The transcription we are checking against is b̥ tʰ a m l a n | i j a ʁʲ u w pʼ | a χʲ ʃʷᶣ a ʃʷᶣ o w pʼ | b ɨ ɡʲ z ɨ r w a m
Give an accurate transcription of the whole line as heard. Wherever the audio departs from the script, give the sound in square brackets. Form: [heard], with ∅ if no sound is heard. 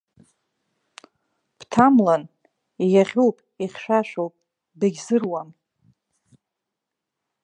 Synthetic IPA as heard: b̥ tʰ a m l a n | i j a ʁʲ u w pʼ | [i] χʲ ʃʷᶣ a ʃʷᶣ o w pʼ | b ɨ ɡʲ z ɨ r w a m

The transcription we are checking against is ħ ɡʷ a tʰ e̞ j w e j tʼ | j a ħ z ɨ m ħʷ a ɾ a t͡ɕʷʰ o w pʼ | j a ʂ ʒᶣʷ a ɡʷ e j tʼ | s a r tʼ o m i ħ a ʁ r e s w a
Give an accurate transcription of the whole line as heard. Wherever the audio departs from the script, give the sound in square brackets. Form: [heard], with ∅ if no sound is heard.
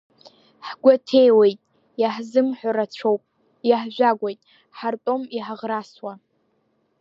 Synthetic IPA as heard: ħ ɡʷ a tʰ e̞ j w e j tʼ | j a ħ z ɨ m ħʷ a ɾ a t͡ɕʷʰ o w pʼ | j a [ħ] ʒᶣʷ a ɡʷ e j tʼ | [ħ] a r tʼ o m i ħ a ʁ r [a] s w a

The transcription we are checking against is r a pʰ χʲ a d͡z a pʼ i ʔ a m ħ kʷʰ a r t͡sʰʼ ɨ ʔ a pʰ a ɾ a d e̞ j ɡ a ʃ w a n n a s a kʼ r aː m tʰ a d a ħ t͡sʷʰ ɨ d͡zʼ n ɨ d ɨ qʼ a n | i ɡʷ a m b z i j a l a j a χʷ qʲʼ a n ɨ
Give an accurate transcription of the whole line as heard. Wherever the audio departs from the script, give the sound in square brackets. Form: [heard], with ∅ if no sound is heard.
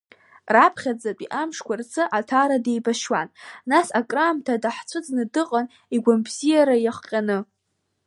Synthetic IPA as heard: r a pʰ χʲ a d͡z a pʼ i ʔ a m [ʂ] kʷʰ a r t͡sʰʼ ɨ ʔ a [tʰ] a ɾ a d e̞ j [b] a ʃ w a n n a s a kʼ r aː m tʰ a d a ħ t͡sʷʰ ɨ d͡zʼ n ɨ d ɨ qʼ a n | i ɡʷ a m b z i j a [ɾ] a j a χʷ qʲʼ a n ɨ

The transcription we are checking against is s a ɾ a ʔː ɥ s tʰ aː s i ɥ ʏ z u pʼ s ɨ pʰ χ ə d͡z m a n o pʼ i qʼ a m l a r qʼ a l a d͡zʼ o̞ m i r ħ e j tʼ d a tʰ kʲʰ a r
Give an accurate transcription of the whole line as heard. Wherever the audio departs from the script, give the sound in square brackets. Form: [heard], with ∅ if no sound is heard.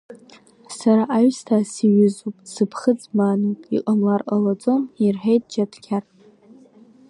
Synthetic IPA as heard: s a ɾ a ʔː ɥ s tʰ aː s i ɥ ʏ z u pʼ s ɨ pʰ χ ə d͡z m a n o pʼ i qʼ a m l a r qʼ a l a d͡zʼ o̞ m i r ħ e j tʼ [d͡ʒ] a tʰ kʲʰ a r

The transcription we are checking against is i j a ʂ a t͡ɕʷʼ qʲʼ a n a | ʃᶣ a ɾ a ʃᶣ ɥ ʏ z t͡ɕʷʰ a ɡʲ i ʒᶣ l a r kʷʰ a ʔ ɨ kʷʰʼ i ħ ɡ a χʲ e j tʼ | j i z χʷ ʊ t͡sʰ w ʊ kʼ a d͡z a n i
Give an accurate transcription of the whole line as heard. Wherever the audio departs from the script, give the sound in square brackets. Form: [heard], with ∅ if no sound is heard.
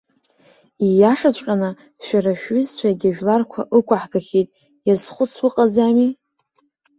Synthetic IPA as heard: i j a ʂ a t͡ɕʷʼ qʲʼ a n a | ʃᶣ a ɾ a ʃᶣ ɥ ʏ z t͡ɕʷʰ a ɡʲ [a] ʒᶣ l a r kʷʰ a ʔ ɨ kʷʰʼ [a] ħ ɡ a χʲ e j tʼ | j [a] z χʷ ʊ t͡sʰ w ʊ [qʼ] a d͡z a [m] i

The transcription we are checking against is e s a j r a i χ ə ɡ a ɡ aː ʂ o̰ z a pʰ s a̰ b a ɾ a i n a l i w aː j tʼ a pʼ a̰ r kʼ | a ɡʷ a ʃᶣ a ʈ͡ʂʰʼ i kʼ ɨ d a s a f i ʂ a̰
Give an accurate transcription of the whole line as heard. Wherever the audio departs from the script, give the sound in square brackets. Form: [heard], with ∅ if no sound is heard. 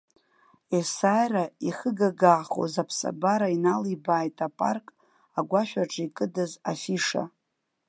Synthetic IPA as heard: e s a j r a i χ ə ɡ a ɡ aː [χ] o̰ z a pʰ s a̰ b a ɾ a i n a l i [b] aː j tʼ a pʼ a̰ r kʼ | a ɡʷ a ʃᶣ a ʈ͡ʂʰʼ i kʼ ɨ d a [z] a f i ʂ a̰

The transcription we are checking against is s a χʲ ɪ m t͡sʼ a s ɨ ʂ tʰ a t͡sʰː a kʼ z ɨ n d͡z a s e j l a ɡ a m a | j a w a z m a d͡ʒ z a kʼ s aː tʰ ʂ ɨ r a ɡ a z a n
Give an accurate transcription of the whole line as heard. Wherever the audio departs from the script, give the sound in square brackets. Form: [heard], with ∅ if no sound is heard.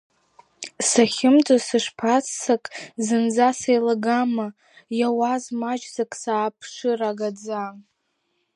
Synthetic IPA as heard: s a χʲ ɪ m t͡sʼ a s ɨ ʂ [pʰ] a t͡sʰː a kʼ z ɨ n d͡z a s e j l a ɡ a m a | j a w a z m a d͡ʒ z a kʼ s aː [pʰ] ʂ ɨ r a ɡ a [d͡z] a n

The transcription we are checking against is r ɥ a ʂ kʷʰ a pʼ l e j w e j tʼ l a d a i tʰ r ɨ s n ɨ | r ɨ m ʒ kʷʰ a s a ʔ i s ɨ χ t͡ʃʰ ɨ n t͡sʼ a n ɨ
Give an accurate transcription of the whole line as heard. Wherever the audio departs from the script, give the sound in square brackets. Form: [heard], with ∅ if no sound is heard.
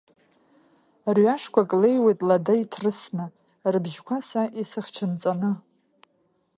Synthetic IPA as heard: r ɥ a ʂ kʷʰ a [kʼ] l e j w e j tʼ l a d a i tʰ r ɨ s n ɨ | r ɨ [b] ʒ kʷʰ a s a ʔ i s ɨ χ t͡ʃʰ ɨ n t͡sʼ a n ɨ

